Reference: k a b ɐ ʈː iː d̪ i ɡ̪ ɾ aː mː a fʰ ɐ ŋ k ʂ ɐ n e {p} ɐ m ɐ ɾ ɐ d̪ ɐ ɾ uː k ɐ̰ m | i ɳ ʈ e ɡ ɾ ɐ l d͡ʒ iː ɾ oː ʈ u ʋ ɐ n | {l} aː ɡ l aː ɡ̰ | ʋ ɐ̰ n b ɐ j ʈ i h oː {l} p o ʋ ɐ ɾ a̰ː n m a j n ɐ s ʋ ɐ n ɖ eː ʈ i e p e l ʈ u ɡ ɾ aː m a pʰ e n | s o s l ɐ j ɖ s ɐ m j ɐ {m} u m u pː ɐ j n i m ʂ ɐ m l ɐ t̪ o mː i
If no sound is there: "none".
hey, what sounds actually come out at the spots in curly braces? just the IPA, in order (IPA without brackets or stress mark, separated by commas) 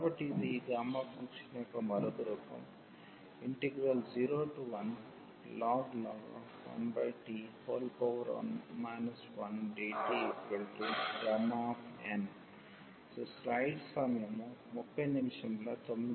k, l, l, m